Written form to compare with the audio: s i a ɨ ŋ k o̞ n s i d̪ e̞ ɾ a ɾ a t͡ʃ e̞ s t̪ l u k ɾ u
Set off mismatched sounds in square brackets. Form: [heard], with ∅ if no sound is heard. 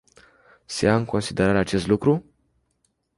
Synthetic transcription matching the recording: s [e] a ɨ ŋ k o̞ n s i d̪ e̞ ɾ a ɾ a t͡ʃ e̞ s t̪ l u k ɾ u